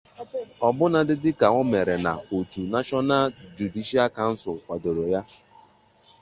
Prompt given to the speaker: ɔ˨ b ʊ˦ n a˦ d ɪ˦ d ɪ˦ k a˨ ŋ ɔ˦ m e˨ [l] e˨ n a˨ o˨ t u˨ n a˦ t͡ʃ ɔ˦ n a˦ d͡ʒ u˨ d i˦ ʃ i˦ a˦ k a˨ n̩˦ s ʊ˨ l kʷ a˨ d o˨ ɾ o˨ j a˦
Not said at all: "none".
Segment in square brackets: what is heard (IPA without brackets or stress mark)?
ɾ